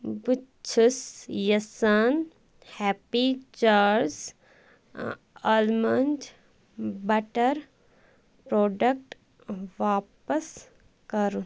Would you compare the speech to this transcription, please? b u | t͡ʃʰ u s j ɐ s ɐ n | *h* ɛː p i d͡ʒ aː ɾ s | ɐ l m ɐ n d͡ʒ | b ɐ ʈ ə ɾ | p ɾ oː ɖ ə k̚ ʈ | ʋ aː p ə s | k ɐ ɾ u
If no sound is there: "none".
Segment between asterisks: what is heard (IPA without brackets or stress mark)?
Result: h